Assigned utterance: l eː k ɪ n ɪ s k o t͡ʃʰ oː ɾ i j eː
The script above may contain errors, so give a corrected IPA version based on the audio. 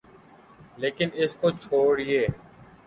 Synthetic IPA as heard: l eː k ɪ n ɪ s k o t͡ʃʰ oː ɽ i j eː